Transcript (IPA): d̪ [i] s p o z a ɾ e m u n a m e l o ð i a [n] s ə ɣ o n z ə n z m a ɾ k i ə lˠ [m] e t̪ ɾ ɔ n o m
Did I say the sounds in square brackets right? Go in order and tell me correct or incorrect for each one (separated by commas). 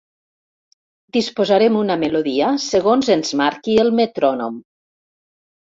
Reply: correct, incorrect, correct